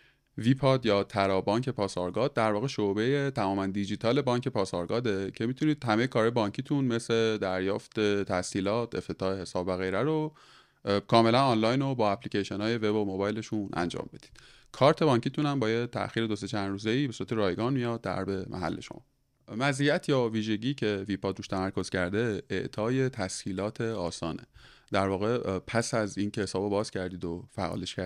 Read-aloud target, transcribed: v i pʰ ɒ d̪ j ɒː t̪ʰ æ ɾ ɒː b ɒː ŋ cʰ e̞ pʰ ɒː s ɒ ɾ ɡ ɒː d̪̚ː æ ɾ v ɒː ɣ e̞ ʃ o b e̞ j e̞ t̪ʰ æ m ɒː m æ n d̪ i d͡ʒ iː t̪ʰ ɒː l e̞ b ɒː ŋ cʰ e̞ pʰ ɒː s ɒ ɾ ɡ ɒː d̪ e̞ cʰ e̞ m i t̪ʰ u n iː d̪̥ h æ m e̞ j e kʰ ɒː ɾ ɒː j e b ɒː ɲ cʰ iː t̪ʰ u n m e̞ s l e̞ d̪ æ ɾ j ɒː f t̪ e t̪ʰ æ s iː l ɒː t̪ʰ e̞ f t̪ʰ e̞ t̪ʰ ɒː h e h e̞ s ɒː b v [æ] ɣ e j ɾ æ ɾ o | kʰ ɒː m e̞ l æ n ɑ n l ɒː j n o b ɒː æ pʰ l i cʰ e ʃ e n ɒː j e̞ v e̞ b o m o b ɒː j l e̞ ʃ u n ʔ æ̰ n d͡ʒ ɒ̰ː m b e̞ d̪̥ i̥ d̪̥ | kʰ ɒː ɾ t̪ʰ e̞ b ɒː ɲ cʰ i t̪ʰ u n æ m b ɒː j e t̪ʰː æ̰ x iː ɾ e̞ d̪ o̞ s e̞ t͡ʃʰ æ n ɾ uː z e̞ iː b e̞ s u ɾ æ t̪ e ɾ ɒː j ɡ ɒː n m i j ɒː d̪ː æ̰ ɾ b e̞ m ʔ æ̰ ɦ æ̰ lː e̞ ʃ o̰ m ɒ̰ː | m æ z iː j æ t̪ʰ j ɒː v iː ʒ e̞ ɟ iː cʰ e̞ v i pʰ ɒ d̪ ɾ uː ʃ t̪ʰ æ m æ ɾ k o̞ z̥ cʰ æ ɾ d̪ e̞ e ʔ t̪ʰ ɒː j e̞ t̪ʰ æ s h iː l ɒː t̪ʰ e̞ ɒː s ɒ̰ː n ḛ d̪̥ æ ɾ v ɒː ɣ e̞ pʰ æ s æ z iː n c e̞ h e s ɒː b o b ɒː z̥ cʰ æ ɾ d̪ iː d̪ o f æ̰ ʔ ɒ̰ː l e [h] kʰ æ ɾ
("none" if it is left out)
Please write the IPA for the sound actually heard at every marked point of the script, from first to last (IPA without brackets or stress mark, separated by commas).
æ, ʃ